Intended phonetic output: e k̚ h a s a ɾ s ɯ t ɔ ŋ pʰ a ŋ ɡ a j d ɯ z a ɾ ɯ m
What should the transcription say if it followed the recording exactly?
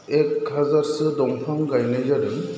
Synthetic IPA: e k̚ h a z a ɾ s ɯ d ɔ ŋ pʰ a ŋ ɡ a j n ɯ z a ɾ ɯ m